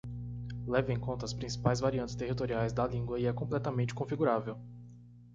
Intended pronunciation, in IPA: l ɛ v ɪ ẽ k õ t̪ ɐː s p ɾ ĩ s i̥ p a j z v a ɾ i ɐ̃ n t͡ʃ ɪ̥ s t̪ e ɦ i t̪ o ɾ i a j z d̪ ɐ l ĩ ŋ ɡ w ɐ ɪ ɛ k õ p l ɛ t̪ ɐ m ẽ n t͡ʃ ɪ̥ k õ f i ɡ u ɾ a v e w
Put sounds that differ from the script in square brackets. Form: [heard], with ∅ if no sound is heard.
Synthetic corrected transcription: l ɛ v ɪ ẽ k õ t̪ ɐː s p ɾ ĩ s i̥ p a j z v a ɾ i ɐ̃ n t͡ʃ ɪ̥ s t̪ e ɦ i t̪ o ɾ i a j z d̪ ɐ l ĩ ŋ ɡ w ɐ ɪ ɛ k õ p l ɛ t̪ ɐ m ẽ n t͡ʃ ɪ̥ k õ f i ɡ u ɾ a v e w